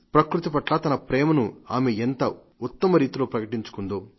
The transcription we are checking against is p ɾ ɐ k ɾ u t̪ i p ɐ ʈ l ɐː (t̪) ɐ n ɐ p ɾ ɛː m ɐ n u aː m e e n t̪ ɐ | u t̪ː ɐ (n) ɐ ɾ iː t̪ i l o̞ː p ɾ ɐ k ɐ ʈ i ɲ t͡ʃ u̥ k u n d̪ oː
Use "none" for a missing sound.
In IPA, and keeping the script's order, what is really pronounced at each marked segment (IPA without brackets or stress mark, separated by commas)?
t̪, m